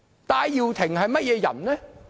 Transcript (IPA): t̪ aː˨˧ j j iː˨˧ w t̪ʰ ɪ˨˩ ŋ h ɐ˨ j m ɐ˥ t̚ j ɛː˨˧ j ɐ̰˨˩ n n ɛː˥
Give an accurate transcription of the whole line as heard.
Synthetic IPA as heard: t̪ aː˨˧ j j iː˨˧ w t̪ʰ ɪ˨˩ ŋ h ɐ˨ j m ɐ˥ t̚ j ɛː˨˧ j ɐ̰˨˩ n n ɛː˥